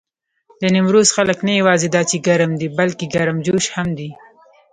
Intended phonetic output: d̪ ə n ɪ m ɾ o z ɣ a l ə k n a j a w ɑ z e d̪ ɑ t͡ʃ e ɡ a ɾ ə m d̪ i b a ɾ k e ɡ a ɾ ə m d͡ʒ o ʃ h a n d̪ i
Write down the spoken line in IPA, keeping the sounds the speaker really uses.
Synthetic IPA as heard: d̪ ə n ɪ m ɾ o z x a l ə k n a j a w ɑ z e d̪ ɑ t͡ʃ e ɡ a ɾ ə m d̪ i b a l k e ɡ a ɾ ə m d͡ʒ o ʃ h a m d̪ i